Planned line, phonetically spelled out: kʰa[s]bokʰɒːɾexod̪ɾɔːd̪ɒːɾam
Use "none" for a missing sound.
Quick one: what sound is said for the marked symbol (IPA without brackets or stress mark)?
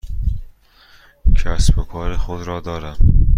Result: s